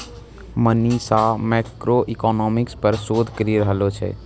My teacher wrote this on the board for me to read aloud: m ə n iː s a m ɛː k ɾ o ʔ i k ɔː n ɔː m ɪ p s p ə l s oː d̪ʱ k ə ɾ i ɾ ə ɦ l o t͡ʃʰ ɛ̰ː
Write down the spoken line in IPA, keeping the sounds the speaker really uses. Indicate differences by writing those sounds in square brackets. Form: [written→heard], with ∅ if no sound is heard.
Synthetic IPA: m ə n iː s a m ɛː k ɾ o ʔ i k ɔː n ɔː m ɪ [p→k] s p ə [l→ɾ] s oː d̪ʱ k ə ɾ i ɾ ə ɦ l o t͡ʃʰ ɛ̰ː